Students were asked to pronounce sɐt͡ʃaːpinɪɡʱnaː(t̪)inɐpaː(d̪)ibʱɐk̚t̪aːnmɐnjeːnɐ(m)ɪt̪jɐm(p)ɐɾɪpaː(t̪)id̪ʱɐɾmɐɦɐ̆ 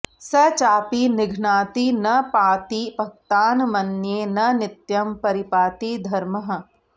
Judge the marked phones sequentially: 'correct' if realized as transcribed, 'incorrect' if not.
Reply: correct, incorrect, incorrect, correct, correct

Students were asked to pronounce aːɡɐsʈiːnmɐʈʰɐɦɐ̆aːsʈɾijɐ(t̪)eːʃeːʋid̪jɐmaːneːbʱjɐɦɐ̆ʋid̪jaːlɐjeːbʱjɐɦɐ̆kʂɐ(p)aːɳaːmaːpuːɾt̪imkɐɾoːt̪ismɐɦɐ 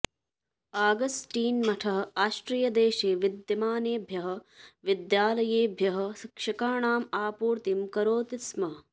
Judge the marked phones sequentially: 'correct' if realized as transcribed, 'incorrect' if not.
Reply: incorrect, incorrect

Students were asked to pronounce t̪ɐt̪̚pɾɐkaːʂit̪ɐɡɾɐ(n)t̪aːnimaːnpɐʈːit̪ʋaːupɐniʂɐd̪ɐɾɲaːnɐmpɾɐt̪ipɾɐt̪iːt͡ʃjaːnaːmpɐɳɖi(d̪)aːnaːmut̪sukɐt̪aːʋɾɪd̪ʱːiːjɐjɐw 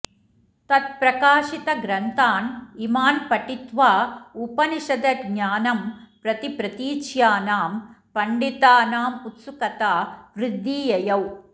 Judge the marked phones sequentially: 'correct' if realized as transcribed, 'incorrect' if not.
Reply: correct, incorrect

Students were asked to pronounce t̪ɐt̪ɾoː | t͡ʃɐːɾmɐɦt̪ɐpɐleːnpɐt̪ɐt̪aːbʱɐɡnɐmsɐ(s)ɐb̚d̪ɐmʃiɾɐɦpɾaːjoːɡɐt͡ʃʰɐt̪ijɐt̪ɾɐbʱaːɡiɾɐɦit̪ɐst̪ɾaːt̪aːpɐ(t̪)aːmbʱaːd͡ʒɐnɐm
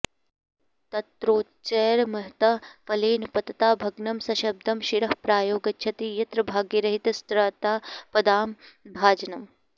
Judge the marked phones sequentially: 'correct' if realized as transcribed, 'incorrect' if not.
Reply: incorrect, incorrect

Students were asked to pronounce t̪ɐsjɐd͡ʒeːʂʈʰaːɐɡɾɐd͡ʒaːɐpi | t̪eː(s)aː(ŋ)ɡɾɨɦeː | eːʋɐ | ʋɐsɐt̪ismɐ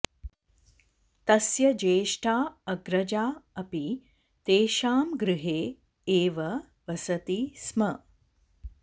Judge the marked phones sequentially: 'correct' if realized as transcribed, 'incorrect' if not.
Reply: incorrect, incorrect

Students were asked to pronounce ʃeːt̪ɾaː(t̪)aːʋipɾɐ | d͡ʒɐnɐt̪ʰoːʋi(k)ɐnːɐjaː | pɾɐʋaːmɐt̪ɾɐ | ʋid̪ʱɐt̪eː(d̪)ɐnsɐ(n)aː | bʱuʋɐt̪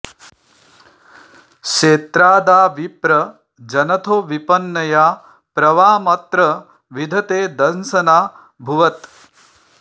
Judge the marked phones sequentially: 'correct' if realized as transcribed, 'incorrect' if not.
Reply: incorrect, incorrect, correct, correct

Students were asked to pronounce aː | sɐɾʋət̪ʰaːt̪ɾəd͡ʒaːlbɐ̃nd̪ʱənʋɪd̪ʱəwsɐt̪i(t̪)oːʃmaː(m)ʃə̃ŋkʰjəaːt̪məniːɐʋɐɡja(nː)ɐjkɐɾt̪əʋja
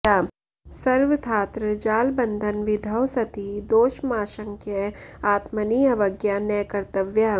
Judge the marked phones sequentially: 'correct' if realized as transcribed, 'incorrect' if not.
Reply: incorrect, incorrect, incorrect

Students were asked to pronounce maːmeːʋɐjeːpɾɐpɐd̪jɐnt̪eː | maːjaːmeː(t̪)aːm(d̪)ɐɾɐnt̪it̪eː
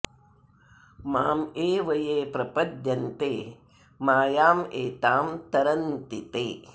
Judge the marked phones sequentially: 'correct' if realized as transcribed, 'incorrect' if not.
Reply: correct, incorrect

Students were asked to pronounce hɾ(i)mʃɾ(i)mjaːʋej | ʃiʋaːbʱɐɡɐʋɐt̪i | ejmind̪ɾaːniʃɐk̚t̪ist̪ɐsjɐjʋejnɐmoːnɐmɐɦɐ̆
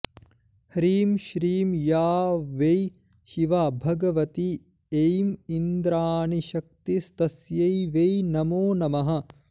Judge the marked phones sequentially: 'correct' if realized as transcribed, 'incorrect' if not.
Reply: incorrect, incorrect

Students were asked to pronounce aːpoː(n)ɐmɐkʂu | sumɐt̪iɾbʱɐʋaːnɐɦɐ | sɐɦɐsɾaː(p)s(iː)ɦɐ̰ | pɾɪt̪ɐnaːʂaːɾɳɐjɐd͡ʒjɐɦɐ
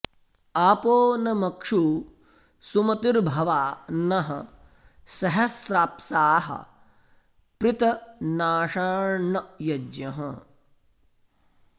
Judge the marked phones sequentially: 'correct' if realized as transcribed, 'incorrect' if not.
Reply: correct, correct, incorrect

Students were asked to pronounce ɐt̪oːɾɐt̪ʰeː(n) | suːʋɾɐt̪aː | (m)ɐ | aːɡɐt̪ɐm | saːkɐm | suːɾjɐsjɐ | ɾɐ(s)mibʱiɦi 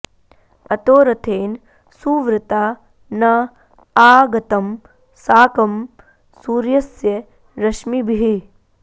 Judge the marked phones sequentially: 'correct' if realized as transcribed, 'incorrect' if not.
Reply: correct, incorrect, incorrect

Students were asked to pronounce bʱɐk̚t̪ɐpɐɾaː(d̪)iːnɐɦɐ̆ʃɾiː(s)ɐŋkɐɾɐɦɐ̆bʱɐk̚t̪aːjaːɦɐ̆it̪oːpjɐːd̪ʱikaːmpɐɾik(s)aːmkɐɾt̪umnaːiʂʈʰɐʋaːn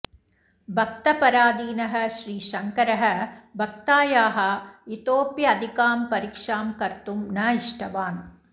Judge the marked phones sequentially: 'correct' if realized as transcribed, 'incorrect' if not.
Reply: correct, incorrect, incorrect

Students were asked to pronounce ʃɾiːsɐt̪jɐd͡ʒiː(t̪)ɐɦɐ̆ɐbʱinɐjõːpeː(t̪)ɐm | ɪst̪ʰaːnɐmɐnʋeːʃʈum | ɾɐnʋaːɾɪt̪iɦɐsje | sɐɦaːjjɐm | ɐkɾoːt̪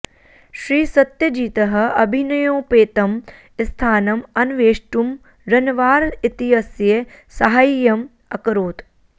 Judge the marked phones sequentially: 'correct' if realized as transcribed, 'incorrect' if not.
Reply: correct, correct

